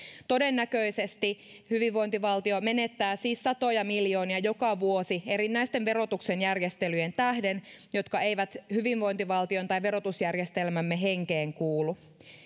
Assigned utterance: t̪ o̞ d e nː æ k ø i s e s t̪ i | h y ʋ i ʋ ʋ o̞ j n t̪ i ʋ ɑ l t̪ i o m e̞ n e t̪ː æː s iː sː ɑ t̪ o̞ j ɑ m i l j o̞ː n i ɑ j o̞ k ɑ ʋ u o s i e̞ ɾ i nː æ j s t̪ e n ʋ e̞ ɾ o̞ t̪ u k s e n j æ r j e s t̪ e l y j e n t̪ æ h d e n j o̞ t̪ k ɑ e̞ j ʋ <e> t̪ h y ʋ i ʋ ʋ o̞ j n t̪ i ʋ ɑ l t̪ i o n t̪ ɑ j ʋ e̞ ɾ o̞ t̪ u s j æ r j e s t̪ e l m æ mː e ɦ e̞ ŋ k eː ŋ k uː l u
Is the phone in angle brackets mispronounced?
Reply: yes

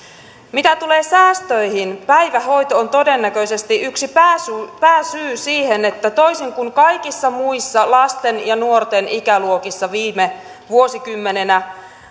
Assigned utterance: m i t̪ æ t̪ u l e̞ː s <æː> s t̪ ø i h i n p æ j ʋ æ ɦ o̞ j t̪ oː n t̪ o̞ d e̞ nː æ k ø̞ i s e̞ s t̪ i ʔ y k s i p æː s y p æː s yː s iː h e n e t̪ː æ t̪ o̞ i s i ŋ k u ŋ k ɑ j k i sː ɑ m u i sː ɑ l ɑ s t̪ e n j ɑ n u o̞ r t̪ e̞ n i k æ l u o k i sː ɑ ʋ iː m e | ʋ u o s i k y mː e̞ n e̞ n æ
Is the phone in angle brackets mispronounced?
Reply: no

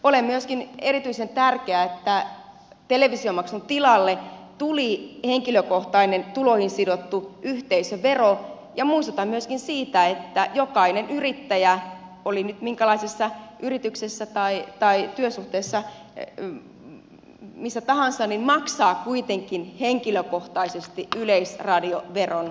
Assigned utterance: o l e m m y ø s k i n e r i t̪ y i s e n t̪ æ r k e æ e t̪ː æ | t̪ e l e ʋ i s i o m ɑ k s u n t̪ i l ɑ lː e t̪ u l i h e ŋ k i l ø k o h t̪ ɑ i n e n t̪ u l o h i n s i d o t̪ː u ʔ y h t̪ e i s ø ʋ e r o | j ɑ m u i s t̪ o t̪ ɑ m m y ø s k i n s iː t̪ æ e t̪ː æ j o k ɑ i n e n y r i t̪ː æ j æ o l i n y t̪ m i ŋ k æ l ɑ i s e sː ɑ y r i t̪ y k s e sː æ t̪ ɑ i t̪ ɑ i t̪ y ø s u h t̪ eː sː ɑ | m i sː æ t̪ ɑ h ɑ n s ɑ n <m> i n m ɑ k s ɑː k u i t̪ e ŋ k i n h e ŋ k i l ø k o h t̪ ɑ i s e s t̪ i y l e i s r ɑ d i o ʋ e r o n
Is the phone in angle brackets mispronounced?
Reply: yes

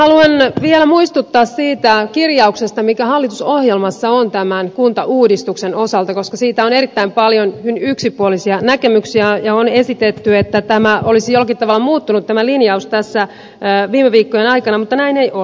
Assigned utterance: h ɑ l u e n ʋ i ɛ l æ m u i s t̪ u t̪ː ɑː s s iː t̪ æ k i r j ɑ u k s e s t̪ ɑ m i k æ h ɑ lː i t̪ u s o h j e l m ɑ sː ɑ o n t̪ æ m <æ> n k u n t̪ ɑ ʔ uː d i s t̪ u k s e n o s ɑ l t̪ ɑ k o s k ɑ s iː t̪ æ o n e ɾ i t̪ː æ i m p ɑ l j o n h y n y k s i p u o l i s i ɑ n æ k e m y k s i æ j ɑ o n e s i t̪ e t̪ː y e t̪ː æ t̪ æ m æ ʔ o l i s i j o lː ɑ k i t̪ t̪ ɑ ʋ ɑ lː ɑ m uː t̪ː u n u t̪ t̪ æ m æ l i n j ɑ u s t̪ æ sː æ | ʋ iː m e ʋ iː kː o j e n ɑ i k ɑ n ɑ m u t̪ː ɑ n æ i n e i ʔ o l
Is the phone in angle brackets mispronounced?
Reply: no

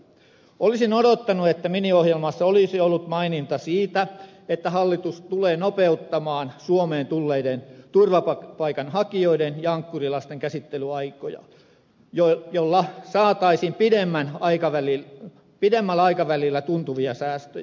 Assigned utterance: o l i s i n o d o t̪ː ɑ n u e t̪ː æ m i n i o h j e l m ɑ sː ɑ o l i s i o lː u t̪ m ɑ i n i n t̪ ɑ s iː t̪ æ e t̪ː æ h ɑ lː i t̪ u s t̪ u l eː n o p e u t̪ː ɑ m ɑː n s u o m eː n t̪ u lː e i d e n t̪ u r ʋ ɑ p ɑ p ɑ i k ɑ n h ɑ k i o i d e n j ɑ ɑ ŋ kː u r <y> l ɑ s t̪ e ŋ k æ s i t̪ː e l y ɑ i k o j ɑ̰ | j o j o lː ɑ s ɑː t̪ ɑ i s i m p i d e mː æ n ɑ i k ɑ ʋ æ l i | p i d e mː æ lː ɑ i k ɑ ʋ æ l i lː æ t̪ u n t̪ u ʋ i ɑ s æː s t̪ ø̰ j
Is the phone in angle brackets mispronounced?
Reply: yes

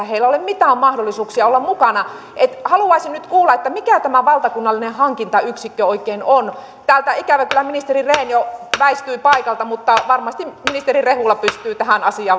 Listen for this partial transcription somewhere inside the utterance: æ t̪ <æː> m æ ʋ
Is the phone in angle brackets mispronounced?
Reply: yes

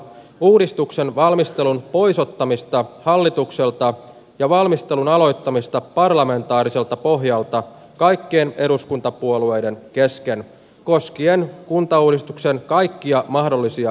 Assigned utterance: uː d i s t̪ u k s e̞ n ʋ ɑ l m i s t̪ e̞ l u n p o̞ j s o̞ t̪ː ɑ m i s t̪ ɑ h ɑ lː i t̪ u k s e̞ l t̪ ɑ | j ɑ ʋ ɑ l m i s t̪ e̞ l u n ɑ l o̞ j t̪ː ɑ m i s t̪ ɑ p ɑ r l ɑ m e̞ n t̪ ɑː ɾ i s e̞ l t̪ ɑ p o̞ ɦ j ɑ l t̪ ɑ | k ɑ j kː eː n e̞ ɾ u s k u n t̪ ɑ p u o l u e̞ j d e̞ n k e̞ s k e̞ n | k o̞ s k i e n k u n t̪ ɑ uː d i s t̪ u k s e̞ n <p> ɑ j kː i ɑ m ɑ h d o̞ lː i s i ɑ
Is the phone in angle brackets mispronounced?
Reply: yes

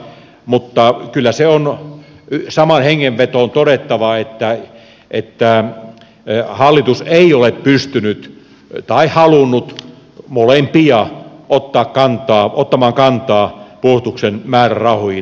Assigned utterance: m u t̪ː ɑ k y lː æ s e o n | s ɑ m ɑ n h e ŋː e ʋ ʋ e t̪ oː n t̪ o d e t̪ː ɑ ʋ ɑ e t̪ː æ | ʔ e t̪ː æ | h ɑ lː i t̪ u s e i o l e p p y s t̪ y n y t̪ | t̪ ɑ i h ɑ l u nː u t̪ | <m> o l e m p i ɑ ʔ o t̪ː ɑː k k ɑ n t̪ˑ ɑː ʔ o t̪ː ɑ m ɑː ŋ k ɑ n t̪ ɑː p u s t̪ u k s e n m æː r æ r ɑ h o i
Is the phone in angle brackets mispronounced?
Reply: no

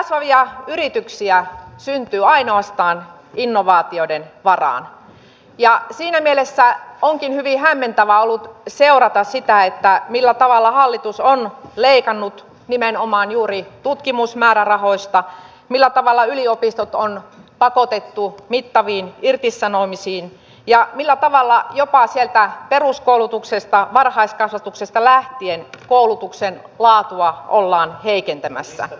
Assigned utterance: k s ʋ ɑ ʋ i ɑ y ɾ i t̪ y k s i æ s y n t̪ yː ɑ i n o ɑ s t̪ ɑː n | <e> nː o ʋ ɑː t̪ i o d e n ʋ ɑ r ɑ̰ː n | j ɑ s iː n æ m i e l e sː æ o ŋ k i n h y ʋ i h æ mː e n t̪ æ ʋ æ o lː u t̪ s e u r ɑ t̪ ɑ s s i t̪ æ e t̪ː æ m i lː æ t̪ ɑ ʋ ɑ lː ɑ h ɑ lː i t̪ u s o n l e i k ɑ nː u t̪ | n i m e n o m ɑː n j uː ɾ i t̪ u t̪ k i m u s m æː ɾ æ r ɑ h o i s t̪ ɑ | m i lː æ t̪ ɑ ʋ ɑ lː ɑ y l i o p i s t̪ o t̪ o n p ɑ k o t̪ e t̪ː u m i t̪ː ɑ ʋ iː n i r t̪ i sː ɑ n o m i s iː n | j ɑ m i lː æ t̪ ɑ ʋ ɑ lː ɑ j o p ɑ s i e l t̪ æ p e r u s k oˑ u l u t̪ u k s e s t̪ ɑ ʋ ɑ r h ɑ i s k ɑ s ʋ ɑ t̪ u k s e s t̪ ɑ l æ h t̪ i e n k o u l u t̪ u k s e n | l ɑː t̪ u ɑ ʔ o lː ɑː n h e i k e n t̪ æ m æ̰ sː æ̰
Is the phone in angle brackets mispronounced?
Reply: yes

